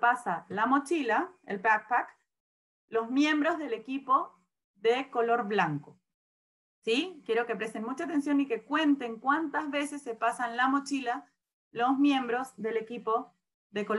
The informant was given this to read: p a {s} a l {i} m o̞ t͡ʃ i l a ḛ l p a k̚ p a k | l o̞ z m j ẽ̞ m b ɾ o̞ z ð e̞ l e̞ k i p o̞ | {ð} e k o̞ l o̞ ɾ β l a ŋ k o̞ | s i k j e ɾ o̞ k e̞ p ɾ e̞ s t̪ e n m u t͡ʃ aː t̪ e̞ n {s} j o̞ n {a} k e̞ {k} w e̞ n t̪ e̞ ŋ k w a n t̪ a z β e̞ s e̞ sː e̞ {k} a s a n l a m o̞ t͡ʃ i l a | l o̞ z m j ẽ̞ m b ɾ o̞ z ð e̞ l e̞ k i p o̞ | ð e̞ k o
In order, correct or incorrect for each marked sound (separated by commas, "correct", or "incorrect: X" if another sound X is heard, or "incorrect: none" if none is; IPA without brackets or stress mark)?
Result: correct, incorrect: a, correct, correct, incorrect: i, correct, incorrect: p